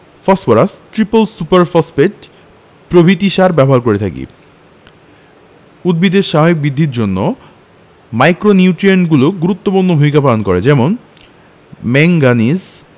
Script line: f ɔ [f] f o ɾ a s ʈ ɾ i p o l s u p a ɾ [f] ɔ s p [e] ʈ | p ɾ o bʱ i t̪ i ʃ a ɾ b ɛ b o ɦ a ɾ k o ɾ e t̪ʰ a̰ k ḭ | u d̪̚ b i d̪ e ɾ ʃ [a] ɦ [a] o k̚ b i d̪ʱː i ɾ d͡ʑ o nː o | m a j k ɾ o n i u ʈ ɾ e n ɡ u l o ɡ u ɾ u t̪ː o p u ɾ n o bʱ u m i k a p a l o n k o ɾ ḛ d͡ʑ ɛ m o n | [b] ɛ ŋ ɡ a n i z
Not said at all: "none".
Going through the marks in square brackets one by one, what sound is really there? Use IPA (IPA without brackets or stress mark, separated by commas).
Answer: s, f, e, a, a, m